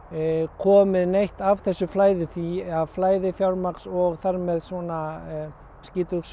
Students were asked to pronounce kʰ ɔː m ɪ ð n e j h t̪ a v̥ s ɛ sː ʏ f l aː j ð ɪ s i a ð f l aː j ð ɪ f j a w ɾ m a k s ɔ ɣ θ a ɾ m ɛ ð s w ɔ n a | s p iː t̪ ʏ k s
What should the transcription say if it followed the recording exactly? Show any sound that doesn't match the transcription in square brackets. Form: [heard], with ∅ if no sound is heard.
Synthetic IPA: kʰ ɔː m ɪ ð n e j h t̪ a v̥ [θ] ɛ sː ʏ f l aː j ð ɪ [θ] i a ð f l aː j ð ɪ f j a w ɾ m a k s ɔ ɣ θ a ɾ m ɛ ð s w ɔ n a | s [c] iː t̪ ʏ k s